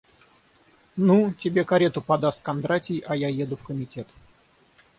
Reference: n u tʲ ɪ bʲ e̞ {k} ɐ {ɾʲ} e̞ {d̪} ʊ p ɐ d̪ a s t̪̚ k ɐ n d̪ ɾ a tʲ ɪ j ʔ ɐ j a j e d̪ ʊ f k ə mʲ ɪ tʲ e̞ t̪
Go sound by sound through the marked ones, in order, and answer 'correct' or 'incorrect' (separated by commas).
correct, correct, incorrect